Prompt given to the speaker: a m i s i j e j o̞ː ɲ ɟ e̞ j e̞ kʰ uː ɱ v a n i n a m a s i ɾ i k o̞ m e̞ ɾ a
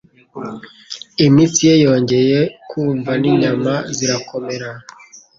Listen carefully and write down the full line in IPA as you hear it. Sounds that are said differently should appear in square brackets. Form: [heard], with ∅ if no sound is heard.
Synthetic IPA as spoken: [i] m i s i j e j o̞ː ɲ ɟ e̞ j e̞ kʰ uː ɱ v a n i [ɲ] a m a [z] i ɾ [a] k o̞ m e̞ ɾ a